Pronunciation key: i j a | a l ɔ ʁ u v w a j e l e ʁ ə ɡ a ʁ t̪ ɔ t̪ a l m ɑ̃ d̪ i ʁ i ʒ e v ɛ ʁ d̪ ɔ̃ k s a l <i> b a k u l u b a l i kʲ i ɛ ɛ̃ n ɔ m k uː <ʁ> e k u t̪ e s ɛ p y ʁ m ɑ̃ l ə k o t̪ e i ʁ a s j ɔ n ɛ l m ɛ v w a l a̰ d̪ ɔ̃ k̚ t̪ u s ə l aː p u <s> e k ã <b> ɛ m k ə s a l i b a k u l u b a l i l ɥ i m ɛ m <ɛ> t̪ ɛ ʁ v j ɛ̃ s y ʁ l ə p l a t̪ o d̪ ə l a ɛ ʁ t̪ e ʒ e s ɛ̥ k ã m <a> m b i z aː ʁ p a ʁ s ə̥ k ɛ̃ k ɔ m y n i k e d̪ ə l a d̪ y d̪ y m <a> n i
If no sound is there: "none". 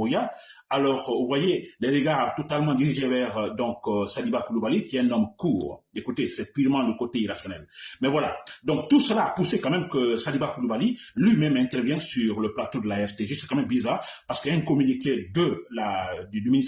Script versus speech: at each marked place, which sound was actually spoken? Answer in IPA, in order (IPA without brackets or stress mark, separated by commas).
i, ʁ, s, m, ɛ̃, ɛ, i